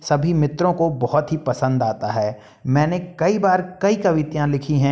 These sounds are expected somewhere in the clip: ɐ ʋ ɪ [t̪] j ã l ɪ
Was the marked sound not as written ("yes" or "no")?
no